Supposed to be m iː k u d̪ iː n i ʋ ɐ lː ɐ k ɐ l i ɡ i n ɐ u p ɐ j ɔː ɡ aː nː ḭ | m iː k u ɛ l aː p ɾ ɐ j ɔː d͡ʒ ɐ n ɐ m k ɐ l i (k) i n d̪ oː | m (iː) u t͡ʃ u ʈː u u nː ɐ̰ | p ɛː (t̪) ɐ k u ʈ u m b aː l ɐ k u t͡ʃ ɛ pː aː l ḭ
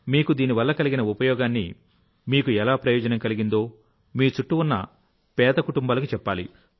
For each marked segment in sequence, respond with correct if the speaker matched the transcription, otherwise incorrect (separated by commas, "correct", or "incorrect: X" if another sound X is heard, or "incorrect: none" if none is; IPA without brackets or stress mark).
incorrect: ɡ, correct, incorrect: d̪